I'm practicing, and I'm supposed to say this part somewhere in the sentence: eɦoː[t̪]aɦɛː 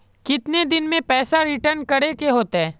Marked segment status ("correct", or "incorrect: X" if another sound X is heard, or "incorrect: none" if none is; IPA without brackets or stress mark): correct